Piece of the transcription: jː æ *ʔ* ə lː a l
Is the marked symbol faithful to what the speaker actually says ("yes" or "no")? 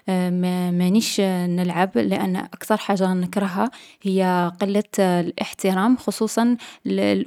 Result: no